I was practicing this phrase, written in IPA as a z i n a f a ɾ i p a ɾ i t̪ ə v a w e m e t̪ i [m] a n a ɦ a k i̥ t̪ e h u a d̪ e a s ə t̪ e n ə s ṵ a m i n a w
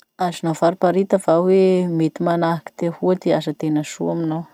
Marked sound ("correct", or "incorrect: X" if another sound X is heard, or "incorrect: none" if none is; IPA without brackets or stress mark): correct